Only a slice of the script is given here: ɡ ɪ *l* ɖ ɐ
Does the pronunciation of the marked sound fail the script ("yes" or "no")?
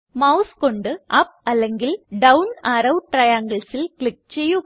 no